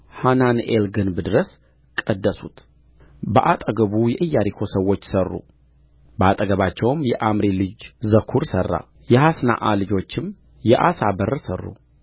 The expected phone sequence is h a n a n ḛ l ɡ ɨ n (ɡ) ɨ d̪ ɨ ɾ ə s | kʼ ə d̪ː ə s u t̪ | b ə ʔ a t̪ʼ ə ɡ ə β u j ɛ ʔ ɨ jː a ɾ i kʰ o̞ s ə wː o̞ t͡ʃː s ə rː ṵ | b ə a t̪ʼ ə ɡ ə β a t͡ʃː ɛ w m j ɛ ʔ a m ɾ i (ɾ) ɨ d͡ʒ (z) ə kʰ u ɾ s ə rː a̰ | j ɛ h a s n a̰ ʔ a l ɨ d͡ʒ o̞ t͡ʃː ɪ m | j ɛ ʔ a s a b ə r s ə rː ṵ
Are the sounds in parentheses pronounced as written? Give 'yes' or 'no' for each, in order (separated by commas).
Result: no, no, yes